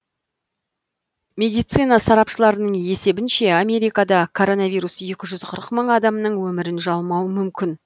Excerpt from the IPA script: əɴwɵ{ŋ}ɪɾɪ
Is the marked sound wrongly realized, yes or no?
yes